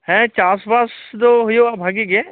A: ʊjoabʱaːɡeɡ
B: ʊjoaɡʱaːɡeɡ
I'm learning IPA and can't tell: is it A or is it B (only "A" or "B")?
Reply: A